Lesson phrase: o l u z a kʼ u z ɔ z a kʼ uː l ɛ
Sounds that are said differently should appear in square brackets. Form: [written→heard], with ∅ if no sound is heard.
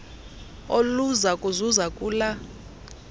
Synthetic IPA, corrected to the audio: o l u z a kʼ u z [ɔ→u] z a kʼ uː l [ɛ→a]